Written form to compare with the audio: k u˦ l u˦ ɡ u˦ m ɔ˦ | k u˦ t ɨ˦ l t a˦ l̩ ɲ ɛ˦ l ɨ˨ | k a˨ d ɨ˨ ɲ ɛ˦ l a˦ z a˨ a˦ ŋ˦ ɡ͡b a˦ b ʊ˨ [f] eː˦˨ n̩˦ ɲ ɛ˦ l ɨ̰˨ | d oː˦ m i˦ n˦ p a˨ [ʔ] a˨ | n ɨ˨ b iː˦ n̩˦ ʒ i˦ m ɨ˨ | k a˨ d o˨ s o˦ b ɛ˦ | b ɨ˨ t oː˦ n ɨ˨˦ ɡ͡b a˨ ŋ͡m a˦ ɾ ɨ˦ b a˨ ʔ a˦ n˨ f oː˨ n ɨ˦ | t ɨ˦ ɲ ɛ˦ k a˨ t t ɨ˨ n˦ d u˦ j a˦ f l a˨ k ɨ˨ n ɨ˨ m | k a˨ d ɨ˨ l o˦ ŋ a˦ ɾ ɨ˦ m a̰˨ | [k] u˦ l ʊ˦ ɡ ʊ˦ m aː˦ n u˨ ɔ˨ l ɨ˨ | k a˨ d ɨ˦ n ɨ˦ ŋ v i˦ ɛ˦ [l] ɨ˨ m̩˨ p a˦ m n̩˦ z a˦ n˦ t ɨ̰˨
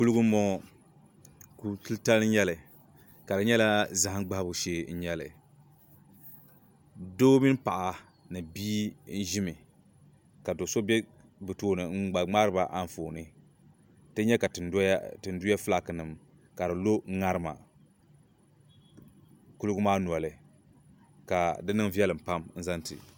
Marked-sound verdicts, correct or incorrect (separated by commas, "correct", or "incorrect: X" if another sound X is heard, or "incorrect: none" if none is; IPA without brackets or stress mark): incorrect: ʃ, correct, correct, correct